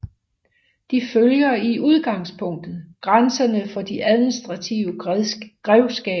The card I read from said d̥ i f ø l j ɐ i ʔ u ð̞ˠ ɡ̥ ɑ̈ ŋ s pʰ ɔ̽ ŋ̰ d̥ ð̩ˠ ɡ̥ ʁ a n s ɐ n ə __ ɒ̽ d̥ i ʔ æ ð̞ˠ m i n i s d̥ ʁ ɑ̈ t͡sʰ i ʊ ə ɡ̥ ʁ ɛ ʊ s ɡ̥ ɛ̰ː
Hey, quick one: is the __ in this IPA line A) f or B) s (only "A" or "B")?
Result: A